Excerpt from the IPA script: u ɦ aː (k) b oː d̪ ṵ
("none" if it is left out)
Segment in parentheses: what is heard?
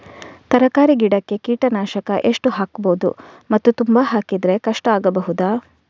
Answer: k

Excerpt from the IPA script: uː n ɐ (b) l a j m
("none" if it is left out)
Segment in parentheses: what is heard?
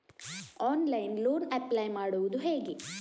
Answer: p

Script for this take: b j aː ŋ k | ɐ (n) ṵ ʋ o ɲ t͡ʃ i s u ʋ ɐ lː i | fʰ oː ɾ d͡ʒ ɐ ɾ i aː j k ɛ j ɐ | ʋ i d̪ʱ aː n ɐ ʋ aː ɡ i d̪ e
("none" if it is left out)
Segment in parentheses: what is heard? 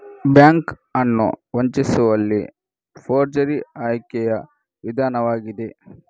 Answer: nː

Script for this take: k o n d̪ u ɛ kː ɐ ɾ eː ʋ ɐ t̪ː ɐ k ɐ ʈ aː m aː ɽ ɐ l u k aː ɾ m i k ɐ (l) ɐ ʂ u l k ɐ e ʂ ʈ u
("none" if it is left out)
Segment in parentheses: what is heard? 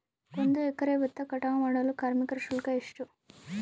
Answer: ɾ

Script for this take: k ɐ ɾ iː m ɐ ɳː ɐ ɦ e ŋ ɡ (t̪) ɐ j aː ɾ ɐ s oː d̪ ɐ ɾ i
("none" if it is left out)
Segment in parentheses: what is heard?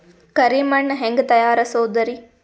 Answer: t̪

